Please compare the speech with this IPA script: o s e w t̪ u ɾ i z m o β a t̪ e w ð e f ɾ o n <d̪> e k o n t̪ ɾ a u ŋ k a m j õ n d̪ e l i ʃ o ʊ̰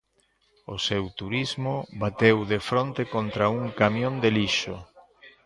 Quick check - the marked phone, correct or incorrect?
incorrect: t̪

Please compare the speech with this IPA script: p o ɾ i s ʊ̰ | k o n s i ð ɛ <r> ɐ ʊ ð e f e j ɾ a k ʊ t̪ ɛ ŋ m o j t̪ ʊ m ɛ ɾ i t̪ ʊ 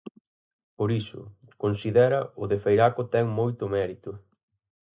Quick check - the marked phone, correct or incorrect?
incorrect: ɾ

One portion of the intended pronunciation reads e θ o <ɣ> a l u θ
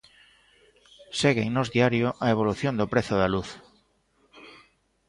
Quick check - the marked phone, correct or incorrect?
incorrect: ð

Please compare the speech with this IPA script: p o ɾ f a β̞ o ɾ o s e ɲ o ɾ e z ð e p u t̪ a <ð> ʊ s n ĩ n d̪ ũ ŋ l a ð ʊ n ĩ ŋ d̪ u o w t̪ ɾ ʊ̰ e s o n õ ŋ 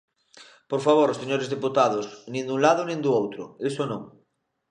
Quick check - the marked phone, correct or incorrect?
correct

